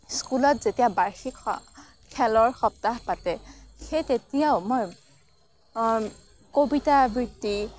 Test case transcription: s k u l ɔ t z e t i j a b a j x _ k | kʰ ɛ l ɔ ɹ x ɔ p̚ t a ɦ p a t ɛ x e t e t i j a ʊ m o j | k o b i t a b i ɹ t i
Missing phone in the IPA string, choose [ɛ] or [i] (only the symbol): i